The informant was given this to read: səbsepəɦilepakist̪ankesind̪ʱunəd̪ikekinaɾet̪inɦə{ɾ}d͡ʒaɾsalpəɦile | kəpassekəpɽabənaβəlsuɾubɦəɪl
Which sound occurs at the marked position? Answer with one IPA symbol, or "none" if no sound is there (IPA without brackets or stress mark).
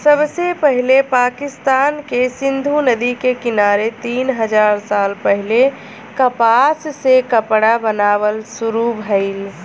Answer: none